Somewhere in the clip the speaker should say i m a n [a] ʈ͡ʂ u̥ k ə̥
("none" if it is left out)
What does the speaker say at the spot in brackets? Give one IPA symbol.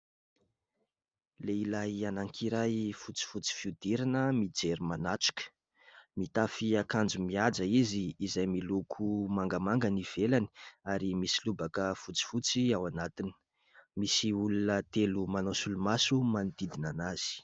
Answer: a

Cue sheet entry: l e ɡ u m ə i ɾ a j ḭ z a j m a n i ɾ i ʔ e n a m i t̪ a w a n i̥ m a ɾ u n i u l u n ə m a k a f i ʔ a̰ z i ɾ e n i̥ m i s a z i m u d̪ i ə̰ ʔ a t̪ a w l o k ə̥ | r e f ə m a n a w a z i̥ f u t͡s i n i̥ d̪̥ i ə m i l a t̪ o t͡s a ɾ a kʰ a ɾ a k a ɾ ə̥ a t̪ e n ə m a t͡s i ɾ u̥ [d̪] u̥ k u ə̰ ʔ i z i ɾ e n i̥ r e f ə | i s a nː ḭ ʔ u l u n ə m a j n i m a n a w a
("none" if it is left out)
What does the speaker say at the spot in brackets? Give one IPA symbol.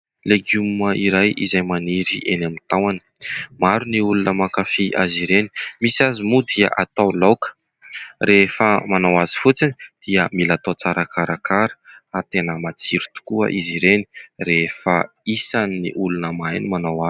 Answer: t̪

